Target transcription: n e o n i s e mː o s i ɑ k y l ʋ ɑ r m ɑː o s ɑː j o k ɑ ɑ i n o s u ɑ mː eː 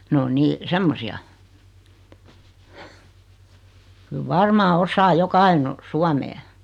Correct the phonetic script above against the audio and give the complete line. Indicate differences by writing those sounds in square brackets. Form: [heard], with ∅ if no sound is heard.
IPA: n e o n [iː] s e mː o s i ɑ k y l ʋ ɑ r m ɑː o s ɑː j o k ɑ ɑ i n o s u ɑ [m] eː